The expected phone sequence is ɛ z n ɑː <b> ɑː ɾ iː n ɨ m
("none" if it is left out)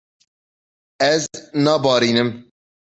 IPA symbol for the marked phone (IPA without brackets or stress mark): b